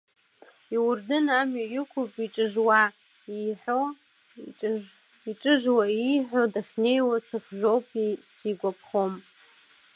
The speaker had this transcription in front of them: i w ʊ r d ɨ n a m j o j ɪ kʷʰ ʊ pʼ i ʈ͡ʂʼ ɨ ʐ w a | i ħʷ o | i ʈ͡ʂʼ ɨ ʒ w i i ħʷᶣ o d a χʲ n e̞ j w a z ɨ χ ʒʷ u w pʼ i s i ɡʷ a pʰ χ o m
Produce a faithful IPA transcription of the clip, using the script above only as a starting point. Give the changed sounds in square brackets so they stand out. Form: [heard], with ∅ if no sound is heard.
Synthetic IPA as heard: i w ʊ r d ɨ n a m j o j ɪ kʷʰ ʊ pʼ i ʈ͡ʂʼ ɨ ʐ w a | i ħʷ o | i ʈ͡ʂʼ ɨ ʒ w [a] i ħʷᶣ o d a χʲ n e̞ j w a [s] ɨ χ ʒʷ [o] w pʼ i s i ɡʷ a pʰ χ o m